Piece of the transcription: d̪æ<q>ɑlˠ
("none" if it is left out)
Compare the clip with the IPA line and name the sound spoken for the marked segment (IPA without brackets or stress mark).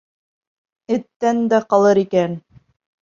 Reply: q